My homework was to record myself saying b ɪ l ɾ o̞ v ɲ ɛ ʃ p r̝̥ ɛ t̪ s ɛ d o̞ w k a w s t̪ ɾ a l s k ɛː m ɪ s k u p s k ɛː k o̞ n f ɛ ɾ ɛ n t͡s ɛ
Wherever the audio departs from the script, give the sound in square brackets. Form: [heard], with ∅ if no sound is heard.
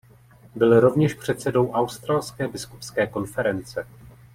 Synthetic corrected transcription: b ɪ l ɾ o̞ v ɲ ɛ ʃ p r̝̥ ɛ t̪ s ɛ d o̞ w [ʔ] a w s t̪ ɾ a l s k ɛː [b] ɪ s k u p s k ɛː k o̞ n f ɛ ɾ ɛ n t͡s ɛ